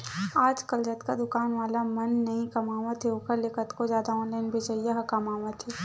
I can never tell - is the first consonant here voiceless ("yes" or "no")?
no